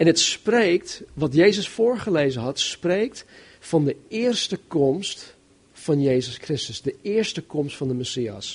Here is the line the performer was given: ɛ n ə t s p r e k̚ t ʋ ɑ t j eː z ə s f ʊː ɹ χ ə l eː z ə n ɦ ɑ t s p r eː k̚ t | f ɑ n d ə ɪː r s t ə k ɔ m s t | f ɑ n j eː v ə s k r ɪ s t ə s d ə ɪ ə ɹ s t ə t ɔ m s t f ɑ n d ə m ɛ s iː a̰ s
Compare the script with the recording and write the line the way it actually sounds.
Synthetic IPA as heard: ɛ n ə t s p r e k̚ t ʋ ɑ t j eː z ə s f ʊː ɹ χ ə l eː z ə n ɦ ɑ t s p r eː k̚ t | f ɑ n d ə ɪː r s t ə k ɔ m s t | f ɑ n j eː z ə s k r ɪ s t ə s d ə ɪ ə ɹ s t ə k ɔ m s t f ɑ n d ə m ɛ s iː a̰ s